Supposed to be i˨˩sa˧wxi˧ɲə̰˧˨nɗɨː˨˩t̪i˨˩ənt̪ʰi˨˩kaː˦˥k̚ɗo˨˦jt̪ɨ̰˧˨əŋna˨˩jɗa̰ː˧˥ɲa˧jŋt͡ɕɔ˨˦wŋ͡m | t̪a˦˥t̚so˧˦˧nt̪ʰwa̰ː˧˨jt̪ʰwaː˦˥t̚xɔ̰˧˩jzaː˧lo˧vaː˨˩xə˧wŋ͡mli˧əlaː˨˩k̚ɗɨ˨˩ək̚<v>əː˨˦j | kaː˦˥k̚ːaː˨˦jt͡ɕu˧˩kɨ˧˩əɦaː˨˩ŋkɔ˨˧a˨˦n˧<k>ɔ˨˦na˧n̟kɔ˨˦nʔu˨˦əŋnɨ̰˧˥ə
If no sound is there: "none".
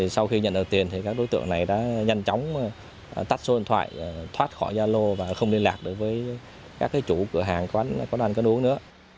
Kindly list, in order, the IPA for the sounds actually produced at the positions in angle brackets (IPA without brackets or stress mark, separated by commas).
v, k